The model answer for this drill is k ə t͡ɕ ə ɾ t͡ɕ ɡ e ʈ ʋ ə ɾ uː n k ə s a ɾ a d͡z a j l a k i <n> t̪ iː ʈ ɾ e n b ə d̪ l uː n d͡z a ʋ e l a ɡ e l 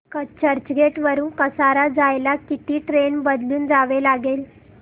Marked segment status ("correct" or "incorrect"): incorrect